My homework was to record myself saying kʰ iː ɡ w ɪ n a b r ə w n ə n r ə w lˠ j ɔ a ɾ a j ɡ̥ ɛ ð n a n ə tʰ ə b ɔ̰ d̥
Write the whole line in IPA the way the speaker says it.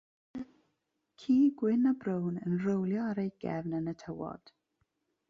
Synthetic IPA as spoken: kʰ iː ɡ w ɪ n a b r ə w n ə n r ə w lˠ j ɔ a ɾ e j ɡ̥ ɛ v n ə n ə tʰ ə w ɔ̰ d̥